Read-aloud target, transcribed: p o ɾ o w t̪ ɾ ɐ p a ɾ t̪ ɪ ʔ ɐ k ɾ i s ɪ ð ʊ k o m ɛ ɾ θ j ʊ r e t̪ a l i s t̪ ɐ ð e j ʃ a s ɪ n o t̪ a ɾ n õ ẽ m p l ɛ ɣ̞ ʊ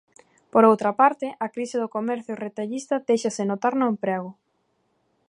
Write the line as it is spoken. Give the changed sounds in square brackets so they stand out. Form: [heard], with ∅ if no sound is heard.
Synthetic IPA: p o ɾ o w t̪ ɾ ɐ p a ɾ t̪ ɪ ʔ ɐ k ɾ i s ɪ ð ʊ k o m ɛ ɾ θ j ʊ r e t̪ a [ʎ] i s t̪ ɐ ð e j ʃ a s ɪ n o t̪ a ɾ n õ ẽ m p [ɾ] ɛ ɣ̞ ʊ